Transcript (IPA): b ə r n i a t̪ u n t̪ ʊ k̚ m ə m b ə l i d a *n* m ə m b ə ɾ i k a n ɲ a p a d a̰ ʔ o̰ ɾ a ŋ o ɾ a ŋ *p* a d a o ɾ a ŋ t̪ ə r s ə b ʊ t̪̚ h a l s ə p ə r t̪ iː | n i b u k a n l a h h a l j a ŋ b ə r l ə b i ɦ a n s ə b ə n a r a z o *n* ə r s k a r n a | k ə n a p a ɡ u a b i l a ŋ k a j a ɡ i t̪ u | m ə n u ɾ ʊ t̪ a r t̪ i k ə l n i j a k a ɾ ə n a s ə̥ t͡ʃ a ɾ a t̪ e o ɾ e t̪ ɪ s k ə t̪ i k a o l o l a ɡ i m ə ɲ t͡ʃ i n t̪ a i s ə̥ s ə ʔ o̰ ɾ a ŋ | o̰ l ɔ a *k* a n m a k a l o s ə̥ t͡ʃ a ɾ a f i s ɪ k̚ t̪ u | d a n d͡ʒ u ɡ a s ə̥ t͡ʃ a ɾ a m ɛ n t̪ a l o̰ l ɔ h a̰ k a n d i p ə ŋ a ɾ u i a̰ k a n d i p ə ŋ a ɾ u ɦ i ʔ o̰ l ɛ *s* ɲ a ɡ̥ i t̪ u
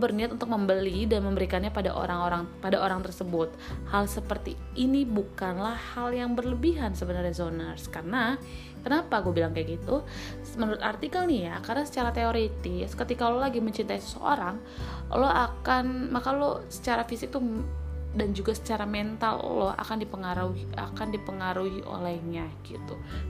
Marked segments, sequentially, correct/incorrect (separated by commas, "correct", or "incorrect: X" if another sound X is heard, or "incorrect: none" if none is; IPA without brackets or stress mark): correct, correct, correct, correct, incorrect: h